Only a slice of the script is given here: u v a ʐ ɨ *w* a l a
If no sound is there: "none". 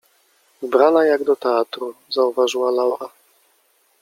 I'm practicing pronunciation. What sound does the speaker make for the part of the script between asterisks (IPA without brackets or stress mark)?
w